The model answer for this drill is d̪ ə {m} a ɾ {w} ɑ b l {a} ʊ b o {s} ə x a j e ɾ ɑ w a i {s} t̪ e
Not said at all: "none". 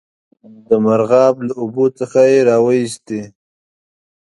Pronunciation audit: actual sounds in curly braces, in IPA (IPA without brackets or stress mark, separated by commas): m, ɣ, a, t͡s, s